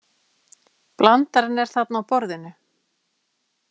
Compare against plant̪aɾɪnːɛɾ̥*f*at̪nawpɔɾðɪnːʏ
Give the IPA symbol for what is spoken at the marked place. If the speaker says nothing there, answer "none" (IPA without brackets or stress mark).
θ